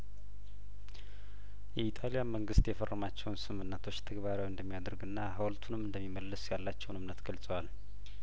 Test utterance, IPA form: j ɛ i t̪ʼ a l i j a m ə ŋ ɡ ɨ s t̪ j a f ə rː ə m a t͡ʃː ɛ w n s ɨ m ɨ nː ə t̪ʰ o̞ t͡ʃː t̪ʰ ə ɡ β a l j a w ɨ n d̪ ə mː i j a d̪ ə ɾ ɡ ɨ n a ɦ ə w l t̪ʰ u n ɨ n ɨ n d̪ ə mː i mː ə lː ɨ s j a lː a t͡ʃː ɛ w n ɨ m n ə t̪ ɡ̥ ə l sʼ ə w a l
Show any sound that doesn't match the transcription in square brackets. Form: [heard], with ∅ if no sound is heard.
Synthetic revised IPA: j ɛ i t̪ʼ a l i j a m ə ŋ ɡ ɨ s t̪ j [ɛ] f ə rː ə m a t͡ʃː ɛ w n s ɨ m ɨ nː ə t̪ʰ o̞ t͡ʃː t̪ʰ ə ɡ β a [ɾ] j a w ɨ n d̪ ə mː i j a d̪ ə ɾ ɡ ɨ [nː] a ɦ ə w l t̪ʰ u n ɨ [m] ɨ n d̪ ə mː i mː ə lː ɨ s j a lː a t͡ʃː ɛ w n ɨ m n ə t̪ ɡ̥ ə l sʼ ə w a l